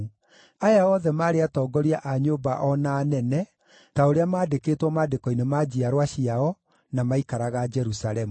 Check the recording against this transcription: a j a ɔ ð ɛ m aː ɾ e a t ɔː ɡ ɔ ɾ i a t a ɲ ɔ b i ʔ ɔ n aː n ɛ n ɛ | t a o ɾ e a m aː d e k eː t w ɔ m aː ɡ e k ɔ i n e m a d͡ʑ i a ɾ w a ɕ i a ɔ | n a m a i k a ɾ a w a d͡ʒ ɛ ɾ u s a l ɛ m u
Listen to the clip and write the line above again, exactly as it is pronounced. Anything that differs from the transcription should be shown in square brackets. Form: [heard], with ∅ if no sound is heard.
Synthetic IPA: a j a ɔ ð ɛ m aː ɾ e a t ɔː ɡ ɔ ɾ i a [ʔ] a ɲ [o] b [a] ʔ ɔ n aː n ɛ n ɛ | t a o ɾ e a m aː d e k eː t w ɔ m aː [d] e k ɔ i n e m a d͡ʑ i a ɾ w a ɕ i a ɔ | n a m a i k a ɾ a [ɣ] a d͡ʒ ɛ ɾ u s a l ɛ m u